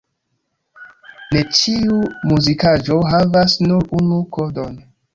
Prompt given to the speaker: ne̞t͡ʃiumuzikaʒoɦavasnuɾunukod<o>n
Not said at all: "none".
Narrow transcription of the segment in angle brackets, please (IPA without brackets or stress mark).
o